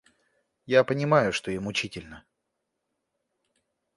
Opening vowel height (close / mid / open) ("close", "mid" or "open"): open